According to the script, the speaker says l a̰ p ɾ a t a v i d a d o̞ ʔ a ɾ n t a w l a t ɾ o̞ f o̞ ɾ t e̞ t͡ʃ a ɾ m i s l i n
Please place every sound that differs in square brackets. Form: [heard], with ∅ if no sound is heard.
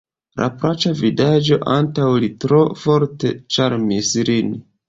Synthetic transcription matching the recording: l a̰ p ɾ a [t͡ʃ] a v i d a [d͡ʒ] o̞ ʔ a [∅] n t a w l [i] t ɾ o̞ f o̞ ɾ t e̞ t͡ʃ a ɾ m i s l i n